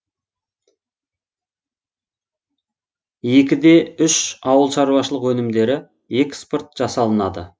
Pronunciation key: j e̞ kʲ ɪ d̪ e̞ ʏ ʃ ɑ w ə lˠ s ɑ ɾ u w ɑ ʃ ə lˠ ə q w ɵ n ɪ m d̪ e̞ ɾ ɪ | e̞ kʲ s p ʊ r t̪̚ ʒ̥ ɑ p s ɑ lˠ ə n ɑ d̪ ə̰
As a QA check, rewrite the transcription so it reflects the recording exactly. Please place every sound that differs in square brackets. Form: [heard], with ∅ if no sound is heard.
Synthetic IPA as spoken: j e̞ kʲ ɪ d̪ e̞ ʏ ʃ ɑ w ə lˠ [ʃ] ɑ ɾ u w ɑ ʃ ə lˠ ə q w ɵ n ɪ m d̪ e̞ ɾ ɪ | e̞ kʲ s p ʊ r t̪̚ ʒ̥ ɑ [∅] s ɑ lˠ ə n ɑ d̪ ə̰